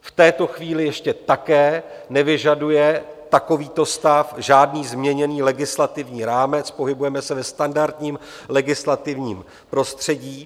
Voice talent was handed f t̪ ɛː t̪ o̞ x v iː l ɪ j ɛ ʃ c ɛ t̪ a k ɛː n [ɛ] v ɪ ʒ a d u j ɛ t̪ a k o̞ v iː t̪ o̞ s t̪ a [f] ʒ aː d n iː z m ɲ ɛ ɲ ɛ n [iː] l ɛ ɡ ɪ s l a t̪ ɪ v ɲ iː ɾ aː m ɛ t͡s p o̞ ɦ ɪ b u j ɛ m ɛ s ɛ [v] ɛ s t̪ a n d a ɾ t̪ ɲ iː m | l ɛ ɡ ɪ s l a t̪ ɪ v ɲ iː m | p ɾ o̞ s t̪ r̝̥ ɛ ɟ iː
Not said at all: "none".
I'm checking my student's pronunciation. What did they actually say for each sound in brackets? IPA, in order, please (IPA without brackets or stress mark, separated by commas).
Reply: ɛ, f, iː, v